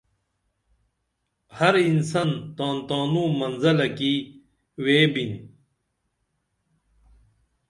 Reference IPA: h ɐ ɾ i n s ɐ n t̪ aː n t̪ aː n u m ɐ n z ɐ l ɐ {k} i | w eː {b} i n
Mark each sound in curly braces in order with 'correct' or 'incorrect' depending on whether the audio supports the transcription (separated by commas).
correct, correct